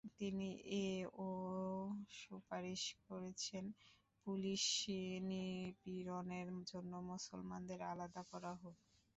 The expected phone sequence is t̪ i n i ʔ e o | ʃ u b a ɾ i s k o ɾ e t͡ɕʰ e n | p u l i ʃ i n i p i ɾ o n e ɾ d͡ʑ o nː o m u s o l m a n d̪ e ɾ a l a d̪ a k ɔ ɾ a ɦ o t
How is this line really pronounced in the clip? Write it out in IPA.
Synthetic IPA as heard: t̪ i n i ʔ e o | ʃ u p a ɾ i ʃ k o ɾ e t͡ɕʰ e n | p u l i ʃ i n i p i ɾ o n e ɾ d͡ʑ o nː o m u s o l m a n d̪ e ɾ a l a d̪ a k ɔ ɾ a ɦ o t